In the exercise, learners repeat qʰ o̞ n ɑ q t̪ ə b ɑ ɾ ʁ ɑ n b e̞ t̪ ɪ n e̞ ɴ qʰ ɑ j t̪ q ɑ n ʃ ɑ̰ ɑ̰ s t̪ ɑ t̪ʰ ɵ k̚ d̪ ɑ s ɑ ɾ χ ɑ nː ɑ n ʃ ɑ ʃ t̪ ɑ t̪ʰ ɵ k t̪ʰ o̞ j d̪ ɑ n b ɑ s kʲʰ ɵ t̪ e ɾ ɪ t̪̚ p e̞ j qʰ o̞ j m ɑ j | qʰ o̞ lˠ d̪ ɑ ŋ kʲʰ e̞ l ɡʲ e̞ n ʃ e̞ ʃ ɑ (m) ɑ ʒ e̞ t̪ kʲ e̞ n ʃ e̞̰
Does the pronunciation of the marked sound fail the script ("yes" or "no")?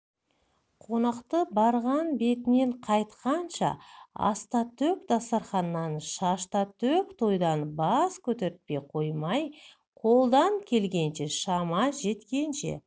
no